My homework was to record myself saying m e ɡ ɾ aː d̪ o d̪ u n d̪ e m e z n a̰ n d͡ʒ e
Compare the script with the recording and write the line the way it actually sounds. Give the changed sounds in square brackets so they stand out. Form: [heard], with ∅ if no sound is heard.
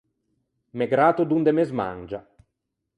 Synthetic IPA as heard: m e ɡ ɾ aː [t̪] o d̪ u n d̪ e m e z [m] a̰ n d͡ʒ [a]